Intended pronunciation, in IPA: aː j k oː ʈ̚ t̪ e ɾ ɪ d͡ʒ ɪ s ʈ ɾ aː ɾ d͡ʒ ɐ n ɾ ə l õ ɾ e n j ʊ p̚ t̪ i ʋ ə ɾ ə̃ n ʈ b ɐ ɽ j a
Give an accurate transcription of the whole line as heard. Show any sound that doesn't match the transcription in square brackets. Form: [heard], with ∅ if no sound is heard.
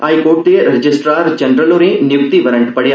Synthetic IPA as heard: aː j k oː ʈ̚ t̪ e ɾ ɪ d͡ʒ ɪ s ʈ ɾ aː ɾ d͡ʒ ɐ n ɾ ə l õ ɾ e n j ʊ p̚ t̪ i ʋ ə ɾ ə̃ [ɳ] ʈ [p] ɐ ɽ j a